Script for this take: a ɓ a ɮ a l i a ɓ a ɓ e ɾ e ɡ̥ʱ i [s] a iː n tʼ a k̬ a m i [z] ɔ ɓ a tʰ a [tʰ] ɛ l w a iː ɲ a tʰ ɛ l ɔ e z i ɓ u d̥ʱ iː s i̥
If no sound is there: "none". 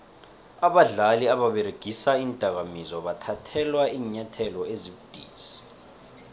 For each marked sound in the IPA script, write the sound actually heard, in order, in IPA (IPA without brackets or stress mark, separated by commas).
s, z, tʰ